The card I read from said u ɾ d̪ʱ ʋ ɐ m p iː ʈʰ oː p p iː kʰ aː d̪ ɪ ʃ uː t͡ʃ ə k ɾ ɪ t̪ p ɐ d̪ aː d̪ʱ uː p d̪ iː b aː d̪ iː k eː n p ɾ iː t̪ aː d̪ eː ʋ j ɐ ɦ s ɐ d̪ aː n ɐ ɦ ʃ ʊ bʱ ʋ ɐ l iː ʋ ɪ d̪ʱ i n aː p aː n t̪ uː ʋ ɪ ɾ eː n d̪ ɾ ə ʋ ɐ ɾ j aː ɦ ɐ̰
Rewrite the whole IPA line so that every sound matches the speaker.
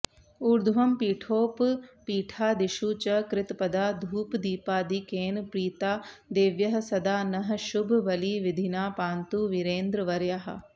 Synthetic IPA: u ɾ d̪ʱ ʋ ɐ m p iː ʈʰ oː p p iː ʈʰ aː d̪ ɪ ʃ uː t͡ʃ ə k ɾ ɪ t̪ p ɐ d̪ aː d̪ʱ uː p d̪ iː p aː d̪ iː k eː n p ɾ iː t̪ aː d̪ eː ʋ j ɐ ɦ s ɐ d̪ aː n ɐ ɦ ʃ ʊ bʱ ʋ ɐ l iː ʋ ɪ d̪ʱ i n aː p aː n t̪ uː ʋ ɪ ɾ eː n d̪ ɾ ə ʋ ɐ ɾ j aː ɦ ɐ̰